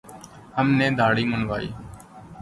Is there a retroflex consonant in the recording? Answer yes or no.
yes